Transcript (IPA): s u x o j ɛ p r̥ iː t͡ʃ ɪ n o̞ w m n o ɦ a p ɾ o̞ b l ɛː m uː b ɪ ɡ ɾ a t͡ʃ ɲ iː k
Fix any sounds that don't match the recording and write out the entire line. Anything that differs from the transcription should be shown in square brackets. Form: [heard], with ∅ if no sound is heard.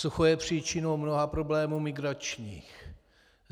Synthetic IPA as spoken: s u x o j ɛ p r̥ iː t͡ʃ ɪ n o̞ w m n o ɦ a p ɾ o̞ b l ɛː m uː [m] ɪ ɡ ɾ a t͡ʃ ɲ iː [x]